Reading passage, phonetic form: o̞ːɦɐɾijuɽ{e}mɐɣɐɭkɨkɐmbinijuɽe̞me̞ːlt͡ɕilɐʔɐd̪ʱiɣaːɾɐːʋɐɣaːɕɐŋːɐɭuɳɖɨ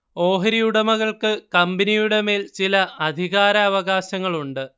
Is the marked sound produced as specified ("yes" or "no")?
yes